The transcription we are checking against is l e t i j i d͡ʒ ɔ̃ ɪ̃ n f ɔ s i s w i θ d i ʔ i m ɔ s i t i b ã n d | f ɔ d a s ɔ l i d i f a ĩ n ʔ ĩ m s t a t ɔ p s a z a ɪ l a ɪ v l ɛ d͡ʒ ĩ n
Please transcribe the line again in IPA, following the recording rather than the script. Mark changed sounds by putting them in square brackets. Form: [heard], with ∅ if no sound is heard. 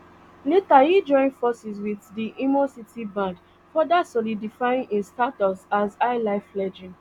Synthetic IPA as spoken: l e t [a] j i d͡ʒ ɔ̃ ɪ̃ n f ɔ s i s w i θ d i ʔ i m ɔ s i t i b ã n d | f ɔ d a s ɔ l i d i f a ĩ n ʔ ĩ [n] s t a t ɔ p s a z a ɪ l a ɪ [f] l ɛ d͡ʒ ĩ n